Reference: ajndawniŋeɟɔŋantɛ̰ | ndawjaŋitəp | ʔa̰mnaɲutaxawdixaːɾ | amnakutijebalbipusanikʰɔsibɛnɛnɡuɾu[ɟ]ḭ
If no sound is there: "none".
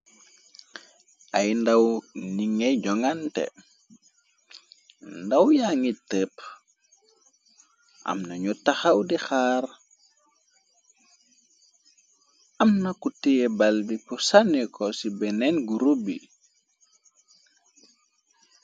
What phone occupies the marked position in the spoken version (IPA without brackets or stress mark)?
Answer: b